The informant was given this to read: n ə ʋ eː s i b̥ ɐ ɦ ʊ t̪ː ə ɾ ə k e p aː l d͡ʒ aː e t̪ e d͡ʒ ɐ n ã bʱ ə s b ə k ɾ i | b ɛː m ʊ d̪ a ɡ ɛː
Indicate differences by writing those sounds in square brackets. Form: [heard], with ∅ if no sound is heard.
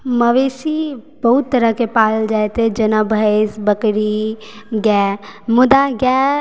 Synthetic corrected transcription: [m] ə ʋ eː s i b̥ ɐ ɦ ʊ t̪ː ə ɾ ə k e p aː l d͡ʒ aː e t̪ e d͡ʒ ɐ n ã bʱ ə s b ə k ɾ i | [ɡ] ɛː m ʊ d̪ a ɡ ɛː